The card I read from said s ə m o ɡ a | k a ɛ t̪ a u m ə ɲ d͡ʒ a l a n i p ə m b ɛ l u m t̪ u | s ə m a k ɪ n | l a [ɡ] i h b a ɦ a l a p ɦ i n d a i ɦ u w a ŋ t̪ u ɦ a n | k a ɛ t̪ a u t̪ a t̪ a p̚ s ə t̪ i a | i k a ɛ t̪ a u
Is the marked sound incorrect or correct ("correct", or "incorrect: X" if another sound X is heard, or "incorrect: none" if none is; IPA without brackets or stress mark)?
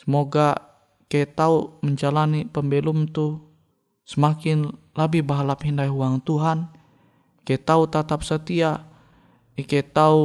incorrect: b